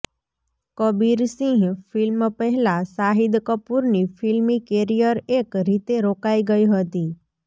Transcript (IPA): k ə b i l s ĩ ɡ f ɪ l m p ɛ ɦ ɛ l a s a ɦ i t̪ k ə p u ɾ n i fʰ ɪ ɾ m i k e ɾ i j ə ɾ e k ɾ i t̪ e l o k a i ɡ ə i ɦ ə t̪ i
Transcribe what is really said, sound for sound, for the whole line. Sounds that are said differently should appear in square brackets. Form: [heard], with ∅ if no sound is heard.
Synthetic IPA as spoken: k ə b i [ɾ] s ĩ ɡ f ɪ l m p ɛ ɦ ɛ l a s a ɦ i [d̪] k ə p u ɾ n i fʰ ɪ [l] m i k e ɾ i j ə ɾ e k ɾ i t̪ e [ɾ] o k a i ɡ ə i ɦ ə t̪ i